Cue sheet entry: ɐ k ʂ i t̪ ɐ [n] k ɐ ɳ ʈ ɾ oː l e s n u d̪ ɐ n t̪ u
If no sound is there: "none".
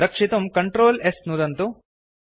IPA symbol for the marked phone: m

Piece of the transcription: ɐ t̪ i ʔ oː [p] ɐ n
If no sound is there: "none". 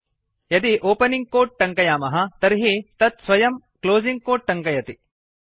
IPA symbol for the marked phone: p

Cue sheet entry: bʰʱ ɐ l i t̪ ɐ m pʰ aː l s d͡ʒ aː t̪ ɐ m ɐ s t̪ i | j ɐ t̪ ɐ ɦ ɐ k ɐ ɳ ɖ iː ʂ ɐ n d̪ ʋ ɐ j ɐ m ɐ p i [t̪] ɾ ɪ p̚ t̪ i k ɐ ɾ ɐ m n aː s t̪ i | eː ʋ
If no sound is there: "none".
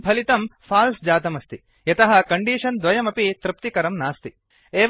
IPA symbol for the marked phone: t̪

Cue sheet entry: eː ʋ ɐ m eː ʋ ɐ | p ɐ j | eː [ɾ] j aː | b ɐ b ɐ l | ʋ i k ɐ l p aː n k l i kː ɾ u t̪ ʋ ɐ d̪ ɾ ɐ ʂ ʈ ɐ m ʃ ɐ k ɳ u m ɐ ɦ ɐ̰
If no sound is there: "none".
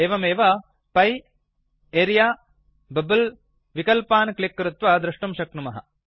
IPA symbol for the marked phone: ɾ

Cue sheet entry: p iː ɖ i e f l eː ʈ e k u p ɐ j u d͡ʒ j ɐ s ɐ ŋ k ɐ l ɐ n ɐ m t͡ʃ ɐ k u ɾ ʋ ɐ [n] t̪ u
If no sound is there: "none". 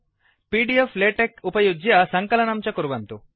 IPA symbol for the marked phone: n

